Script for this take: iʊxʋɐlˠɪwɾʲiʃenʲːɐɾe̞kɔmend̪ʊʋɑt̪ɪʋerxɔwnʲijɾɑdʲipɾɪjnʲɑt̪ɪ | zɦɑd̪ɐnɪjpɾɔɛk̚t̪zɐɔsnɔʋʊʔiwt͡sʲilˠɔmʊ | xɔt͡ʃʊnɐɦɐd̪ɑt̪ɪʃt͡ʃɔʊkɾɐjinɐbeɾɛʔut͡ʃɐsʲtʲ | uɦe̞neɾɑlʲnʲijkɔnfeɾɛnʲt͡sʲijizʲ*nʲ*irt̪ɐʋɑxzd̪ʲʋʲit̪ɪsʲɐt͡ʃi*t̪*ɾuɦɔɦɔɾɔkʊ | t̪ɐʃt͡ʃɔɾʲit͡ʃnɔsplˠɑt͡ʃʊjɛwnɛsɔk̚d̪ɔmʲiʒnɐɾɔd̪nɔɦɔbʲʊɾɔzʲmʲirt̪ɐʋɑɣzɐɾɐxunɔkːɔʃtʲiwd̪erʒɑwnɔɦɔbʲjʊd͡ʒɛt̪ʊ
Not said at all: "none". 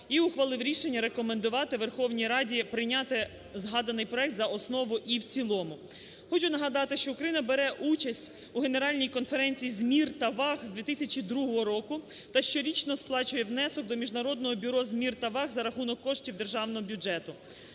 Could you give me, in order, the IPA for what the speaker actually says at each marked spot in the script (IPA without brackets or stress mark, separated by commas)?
mʲ, d̪